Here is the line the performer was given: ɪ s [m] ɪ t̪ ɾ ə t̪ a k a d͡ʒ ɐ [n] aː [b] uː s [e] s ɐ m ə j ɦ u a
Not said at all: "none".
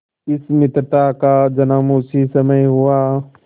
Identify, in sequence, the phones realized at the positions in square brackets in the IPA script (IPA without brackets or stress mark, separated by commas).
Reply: m, n, m, i